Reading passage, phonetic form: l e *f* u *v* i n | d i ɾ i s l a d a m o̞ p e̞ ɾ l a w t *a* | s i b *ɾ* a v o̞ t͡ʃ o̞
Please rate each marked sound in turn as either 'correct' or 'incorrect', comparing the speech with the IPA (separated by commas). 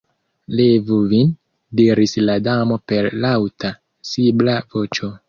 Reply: incorrect, correct, correct, incorrect